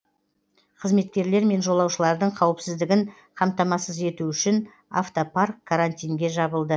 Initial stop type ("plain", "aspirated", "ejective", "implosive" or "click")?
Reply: aspirated